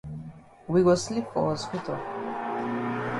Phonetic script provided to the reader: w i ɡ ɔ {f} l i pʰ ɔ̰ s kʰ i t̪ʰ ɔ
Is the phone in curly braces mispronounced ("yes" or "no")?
yes